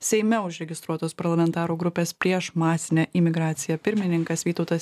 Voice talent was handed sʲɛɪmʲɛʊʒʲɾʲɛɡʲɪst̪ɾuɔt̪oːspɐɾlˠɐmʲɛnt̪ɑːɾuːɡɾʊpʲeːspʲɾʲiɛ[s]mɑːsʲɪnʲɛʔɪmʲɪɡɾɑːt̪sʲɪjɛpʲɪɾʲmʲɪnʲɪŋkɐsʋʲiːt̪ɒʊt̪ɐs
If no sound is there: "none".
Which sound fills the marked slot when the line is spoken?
ʃ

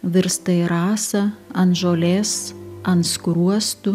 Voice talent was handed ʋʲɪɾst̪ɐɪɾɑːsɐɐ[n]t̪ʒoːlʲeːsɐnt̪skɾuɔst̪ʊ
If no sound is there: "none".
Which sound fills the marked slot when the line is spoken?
n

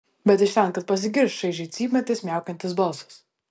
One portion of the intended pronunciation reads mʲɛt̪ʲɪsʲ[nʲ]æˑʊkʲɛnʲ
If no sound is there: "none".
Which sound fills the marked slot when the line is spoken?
mʲ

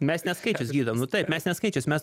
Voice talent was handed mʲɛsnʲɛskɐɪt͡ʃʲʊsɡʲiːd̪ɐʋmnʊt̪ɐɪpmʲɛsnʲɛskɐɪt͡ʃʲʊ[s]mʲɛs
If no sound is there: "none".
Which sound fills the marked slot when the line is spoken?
s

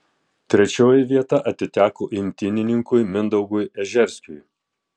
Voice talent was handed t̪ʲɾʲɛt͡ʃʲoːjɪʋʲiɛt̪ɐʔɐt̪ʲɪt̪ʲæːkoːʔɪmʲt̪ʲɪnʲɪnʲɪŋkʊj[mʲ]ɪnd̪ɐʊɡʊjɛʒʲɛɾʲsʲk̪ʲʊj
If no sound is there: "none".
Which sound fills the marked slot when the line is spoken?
mʲ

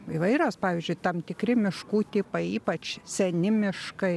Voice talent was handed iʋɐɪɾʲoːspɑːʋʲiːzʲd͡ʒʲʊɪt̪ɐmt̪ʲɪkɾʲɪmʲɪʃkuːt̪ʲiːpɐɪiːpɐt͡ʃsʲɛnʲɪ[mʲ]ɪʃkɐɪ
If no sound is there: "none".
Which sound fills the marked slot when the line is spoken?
mʲ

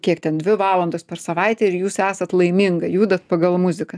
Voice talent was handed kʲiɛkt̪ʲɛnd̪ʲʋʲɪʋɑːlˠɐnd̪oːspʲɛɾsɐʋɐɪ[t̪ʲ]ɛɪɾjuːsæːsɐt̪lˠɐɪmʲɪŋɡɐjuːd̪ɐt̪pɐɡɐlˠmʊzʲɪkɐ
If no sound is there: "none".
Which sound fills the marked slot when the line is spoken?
t̪ʲ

